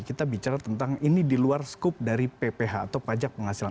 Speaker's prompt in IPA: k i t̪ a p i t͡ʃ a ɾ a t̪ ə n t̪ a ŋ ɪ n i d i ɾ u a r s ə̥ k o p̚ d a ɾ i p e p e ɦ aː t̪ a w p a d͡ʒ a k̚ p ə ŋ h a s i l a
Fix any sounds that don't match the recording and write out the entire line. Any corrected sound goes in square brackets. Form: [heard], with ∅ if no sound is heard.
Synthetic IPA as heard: k i t̪ a [b] i t͡ʃ a ɾ a t̪ ə n t̪ a ŋ [i] n i d i [l] u a r s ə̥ k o p̚ d a ɾ i p e p e ɦ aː t̪ a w p a d͡ʒ a k̚ p ə ŋ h a s i l a